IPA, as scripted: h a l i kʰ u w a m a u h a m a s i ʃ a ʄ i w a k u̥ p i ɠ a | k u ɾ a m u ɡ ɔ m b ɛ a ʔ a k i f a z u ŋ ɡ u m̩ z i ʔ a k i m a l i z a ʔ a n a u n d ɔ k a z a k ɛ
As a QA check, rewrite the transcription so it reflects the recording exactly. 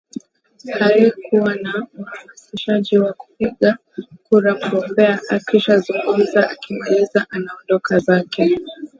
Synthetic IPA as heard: h a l i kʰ u w a n a u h a m a s i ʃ a ʄ i w a k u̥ p i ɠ a | k u ɾ a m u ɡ ɔ m b ɛ a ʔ a k i ʃ a z u ŋ ɡ u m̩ z a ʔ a k i m a l i z a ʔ a n a ɔ n d ɔ k a z a k ɛ